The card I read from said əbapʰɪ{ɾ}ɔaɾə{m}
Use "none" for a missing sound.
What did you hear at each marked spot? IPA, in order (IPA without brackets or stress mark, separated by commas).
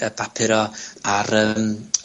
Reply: ɾ, m